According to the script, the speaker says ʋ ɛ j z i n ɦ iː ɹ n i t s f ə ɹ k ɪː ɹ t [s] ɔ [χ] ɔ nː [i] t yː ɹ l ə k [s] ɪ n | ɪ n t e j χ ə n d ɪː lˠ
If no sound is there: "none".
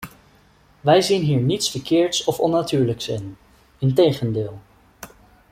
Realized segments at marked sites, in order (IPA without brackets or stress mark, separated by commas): s, f, a, s